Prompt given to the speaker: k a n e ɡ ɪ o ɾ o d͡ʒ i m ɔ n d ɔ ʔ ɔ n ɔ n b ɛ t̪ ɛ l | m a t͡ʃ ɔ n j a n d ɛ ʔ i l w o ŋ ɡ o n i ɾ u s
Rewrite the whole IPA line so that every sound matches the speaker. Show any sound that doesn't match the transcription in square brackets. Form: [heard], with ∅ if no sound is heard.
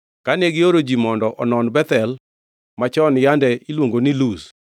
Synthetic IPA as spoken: k a n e ɡ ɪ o ɾ o d͡ʒ i m ɔ n d ɔ ʔ ɔ n ɔ n b ɛ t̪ ɛ l | m a t͡ʃ ɔ n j a n d ɛ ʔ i l w o ŋ ɡ o n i [l] u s